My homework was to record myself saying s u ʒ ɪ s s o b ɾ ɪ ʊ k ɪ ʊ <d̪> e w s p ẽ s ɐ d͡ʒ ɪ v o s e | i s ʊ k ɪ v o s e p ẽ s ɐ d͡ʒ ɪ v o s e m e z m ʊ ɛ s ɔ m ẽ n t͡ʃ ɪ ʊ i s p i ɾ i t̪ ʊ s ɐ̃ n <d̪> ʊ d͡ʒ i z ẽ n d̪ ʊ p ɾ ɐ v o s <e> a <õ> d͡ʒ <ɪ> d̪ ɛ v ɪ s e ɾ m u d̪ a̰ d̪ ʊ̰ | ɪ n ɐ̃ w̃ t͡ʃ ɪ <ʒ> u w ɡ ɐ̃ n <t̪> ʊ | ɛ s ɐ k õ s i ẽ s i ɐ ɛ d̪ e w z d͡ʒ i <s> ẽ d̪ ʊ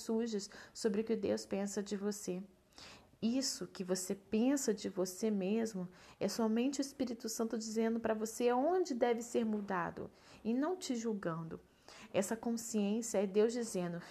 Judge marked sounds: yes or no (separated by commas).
yes, no, yes, yes, yes, yes, no, no